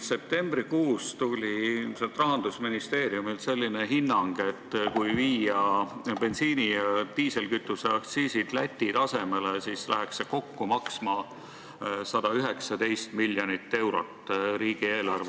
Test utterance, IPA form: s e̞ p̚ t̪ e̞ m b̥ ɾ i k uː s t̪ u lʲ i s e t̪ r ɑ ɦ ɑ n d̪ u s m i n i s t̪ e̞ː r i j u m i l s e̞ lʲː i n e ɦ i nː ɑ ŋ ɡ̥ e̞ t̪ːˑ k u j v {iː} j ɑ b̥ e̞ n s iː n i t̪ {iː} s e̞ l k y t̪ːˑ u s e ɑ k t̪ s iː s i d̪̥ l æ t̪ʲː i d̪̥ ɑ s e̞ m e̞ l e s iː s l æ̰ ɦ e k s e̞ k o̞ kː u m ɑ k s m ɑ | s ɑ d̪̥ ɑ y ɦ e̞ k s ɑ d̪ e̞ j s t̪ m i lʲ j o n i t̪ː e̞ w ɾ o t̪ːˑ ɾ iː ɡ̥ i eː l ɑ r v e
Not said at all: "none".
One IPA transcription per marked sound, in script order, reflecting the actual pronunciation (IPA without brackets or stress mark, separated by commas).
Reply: iː, iː